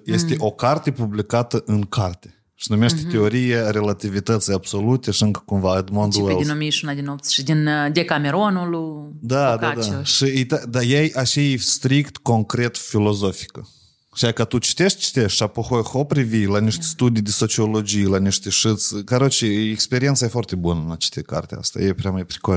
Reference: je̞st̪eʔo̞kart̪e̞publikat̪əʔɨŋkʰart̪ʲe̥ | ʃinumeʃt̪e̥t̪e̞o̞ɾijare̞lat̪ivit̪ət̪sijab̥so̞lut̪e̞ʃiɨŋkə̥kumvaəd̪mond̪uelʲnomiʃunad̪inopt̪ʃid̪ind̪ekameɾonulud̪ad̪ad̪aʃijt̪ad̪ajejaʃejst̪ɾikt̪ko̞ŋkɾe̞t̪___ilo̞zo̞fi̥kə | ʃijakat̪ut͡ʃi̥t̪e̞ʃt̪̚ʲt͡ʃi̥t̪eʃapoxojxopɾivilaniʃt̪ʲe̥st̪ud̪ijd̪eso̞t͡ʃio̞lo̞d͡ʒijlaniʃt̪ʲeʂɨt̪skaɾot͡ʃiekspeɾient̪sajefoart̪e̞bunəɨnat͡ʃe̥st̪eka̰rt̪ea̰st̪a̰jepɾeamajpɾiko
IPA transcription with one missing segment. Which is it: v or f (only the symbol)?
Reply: f